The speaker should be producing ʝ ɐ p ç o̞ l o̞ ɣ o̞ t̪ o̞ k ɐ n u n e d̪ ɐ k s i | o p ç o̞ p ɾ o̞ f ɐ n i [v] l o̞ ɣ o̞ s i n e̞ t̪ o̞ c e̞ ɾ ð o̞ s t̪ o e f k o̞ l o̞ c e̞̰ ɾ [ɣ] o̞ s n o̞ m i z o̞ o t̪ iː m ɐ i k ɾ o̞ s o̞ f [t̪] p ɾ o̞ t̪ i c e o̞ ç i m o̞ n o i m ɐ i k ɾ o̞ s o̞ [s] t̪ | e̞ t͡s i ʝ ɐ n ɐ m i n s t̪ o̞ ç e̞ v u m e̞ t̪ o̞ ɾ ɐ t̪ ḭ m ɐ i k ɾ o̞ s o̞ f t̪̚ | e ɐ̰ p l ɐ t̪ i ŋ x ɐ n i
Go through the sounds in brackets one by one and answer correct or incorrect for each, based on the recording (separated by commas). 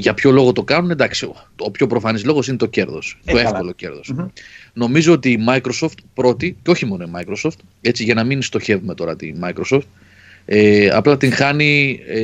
incorrect, incorrect, correct, incorrect